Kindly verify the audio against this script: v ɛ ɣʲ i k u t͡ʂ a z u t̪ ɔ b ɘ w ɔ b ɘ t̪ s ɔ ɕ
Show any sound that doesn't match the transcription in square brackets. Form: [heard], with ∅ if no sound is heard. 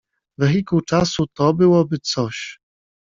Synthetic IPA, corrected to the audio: v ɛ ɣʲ i k u t͡ʂ a [s] u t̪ ɔ b ɘ w ɔ b ɘ t̪ s ɔ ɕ